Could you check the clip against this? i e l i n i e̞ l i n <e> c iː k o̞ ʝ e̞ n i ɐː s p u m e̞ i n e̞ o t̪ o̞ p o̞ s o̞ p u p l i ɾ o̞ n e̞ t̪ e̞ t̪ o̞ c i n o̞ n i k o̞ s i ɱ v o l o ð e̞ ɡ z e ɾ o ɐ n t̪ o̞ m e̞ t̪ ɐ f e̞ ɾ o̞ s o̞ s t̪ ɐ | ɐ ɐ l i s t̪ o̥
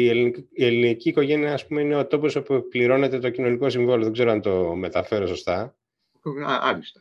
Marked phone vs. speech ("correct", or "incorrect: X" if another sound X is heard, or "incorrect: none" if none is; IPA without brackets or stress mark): incorrect: i